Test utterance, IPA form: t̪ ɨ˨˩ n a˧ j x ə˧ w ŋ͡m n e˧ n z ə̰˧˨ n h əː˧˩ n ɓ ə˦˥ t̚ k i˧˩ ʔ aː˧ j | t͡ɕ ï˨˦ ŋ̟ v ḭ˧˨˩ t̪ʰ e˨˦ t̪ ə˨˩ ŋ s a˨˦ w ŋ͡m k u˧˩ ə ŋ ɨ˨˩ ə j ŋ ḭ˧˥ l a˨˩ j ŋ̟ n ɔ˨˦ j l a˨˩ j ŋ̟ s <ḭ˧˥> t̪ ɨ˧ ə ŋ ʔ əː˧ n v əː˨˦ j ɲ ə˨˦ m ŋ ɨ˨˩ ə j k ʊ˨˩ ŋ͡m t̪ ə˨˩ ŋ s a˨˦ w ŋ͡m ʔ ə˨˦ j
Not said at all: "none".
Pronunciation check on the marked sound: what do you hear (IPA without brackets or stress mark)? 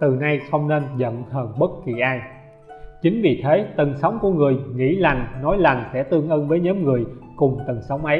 ɛ̰˧˥